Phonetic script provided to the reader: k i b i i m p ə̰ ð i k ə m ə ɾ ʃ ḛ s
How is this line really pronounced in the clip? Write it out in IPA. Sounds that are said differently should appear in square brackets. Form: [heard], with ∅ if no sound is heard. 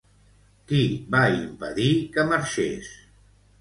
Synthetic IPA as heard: k i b [a] i m p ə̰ ð i k ə m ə ɾ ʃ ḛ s